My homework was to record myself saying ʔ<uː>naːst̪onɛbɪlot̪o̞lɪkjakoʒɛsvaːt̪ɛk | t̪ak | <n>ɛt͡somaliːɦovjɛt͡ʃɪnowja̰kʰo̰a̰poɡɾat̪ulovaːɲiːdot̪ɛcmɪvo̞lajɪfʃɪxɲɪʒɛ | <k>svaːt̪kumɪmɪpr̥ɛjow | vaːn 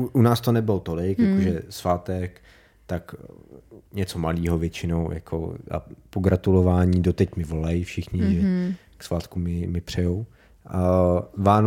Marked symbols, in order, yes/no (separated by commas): no, no, yes